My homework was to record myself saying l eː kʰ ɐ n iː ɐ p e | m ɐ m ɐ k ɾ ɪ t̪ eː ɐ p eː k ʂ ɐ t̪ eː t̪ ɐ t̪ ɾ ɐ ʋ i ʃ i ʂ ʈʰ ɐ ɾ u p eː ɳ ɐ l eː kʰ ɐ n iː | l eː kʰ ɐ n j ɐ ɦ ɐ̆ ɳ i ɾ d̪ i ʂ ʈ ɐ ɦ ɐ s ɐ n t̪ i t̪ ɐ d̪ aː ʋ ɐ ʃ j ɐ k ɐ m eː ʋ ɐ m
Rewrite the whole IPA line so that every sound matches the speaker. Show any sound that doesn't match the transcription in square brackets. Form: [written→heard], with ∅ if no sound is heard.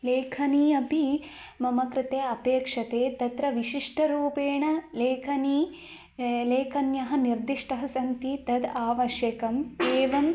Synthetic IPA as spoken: l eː kʰ ɐ n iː ɐ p [e→i] | m ɐ m ɐ k ɾ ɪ t̪ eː ɐ p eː k ʂ ɐ t̪ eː t̪ ɐ t̪ ɾ ɐ ʋ i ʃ i ʂ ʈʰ ɐ ɾ [u→uː] p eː ɳ ɐ l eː kʰ ɐ n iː | l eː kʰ ɐ n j ɐ ɦ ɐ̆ [ɳ→n] i ɾ d̪ i ʂ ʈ ɐ ɦ ɐ s ɐ n t̪ i t̪ ɐ d̪ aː ʋ ɐ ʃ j ɐ k ɐ m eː ʋ ɐ m